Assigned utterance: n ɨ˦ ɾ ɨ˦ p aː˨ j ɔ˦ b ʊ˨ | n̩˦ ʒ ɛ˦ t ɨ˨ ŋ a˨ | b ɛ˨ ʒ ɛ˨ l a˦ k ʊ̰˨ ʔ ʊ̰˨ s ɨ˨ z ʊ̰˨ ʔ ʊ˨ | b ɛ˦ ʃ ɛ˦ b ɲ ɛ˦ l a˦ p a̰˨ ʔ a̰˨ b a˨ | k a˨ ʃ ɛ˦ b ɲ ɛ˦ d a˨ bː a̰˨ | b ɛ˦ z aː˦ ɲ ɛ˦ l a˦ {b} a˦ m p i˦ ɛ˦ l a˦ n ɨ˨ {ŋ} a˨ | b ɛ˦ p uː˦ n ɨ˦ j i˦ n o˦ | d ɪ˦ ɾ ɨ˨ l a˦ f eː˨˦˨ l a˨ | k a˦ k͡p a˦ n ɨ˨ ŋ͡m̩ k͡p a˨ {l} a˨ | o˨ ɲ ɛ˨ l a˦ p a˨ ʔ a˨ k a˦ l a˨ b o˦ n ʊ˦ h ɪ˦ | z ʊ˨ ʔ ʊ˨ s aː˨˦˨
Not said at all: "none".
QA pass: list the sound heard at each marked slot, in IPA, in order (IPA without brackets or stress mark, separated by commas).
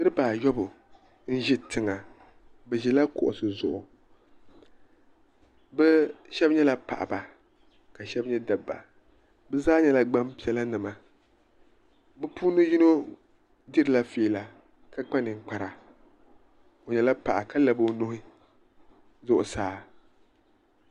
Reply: ɡ͡b, m, ɾ